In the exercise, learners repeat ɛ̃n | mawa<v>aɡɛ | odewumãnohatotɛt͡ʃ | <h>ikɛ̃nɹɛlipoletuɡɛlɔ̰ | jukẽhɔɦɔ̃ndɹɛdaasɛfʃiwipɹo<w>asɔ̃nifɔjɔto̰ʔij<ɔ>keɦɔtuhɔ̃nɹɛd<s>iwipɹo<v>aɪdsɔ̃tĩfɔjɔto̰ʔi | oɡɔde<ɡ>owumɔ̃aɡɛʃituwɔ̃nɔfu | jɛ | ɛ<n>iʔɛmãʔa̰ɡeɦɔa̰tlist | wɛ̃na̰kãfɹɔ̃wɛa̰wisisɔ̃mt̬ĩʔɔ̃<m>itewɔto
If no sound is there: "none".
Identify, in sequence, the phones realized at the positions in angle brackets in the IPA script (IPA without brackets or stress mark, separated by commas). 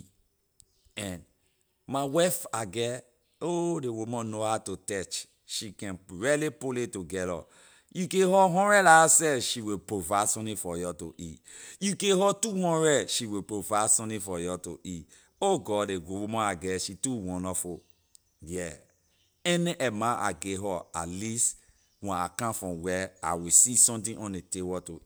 f, ʃ, v, u, ʃ, v, ɡ, n, n